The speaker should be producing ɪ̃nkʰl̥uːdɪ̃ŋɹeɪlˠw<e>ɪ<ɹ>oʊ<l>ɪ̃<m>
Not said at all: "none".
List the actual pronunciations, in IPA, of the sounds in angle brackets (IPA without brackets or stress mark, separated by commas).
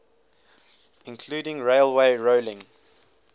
e, ɹ, l, ŋ